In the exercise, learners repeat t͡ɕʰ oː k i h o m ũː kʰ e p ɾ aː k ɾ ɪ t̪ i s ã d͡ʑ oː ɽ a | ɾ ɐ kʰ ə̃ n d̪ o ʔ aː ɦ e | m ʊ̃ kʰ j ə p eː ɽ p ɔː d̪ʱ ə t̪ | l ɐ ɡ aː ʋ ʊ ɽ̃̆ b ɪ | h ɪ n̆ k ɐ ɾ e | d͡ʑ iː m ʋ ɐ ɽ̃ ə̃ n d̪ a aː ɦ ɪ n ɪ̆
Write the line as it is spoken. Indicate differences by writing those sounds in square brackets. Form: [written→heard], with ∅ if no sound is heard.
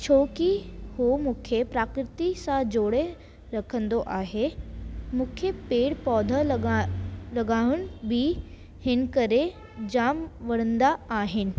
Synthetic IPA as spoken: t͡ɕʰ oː k i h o m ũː kʰ e p ɾ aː k ɾ ɪ t̪ i s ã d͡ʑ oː ɽ [a→e] | ɾ ɐ kʰ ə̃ n d̪ o ʔ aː ɦ e | m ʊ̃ kʰ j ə p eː ɽ p ɔː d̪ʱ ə [t̪→∅] | l ɐ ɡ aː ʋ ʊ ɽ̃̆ b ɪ | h ɪ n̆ k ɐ ɾ e | d͡ʑ [iː→aː] m ʋ ɐ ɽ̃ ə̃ n d̪ a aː ɦ ɪ n ɪ̆